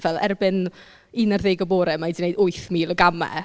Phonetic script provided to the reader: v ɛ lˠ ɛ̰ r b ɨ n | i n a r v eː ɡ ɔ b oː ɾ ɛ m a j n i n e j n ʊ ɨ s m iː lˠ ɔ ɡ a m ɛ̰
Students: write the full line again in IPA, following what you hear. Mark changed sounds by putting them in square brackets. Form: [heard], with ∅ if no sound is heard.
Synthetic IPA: v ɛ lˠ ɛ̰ r b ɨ n | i n a r [ð] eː ɡ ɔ b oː ɾ ɛ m a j [d] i n e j [d] ʊ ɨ [θ] m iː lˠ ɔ ɡ a m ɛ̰